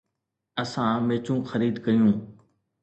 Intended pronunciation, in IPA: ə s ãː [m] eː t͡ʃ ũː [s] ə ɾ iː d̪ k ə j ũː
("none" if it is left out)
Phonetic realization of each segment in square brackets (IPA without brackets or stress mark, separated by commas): m, x